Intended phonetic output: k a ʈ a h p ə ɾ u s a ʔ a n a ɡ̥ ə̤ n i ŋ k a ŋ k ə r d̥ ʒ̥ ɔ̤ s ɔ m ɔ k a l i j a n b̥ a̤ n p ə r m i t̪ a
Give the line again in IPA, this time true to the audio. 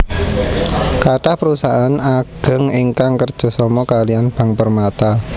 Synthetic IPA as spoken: k a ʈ a h p ə ɾ u s a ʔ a n a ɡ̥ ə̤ ŋ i ŋ k a ŋ k ə r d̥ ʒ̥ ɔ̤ s ɔ m ɔ k a l i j a n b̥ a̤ ŋ p ə r m a t̪ a